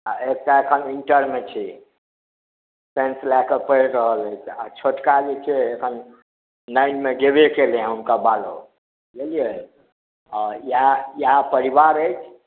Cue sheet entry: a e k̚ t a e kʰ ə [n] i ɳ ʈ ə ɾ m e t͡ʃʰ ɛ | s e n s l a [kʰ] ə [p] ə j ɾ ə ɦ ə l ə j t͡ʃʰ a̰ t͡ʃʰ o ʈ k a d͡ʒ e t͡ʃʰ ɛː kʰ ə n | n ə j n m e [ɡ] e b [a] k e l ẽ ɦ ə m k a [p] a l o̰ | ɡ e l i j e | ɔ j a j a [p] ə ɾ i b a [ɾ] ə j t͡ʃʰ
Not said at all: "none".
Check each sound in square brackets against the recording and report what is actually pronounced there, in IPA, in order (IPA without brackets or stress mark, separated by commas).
n, k, p, ɡ, e, b, p, ɾ